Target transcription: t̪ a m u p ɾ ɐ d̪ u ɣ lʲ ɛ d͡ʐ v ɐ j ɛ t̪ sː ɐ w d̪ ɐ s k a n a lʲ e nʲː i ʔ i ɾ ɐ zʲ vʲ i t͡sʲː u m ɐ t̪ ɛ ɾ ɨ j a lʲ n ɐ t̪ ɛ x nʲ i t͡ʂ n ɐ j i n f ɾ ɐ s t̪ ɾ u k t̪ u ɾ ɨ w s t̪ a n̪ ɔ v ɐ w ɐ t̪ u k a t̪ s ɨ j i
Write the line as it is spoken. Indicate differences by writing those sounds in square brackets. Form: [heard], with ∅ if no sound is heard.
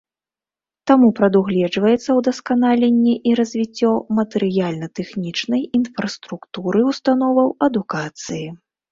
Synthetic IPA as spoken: t̪ a m u p ɾ ɐ d̪ u ɣ lʲ ɛ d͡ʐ v ɐ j ɛ t̪ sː ɐ w d̪ ɐ s k a n a lʲ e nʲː i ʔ i ɾ ɐ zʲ vʲ i t͡sʲː [ɔ] m ɐ t̪ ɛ ɾ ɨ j a lʲ n ɐ t̪ ɛ x nʲ i t͡ʂ n ɐ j i n f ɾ ɐ s t̪ ɾ u k t̪ u ɾ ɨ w s t̪ a n̪ ɔ v ɐ w ɐ [d̪] u k a t̪ s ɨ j i